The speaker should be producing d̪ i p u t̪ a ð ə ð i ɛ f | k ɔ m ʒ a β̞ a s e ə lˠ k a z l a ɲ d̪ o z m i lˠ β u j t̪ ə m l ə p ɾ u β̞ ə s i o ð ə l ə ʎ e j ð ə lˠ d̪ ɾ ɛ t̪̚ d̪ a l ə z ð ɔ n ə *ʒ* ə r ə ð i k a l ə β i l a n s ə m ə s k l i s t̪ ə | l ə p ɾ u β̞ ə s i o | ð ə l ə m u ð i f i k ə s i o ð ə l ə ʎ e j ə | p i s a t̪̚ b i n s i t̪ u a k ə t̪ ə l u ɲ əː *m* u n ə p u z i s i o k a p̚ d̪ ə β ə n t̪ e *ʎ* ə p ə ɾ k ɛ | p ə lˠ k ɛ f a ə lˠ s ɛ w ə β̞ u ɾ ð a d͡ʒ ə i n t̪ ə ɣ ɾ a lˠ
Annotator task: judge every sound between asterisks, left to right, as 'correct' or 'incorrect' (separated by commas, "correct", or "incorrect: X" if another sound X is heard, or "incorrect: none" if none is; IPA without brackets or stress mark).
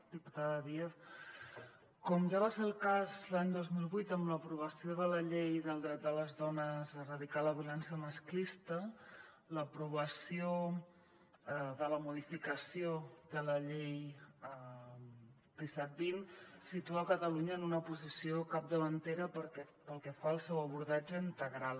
incorrect: z, incorrect: n, incorrect: ɾ